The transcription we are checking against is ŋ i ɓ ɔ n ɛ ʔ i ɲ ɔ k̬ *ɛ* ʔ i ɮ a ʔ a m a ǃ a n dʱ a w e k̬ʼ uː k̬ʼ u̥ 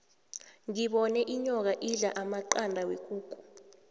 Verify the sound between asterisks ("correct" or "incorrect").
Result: incorrect